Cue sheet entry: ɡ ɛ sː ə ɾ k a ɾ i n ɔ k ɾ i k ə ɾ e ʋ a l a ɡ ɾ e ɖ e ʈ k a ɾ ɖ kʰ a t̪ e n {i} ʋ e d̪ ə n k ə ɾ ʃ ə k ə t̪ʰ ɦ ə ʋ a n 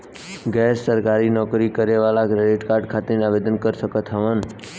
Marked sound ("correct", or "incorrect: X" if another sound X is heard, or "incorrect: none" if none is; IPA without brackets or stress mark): incorrect: a